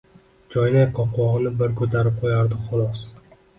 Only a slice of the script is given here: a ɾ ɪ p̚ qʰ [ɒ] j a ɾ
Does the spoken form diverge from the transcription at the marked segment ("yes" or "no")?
yes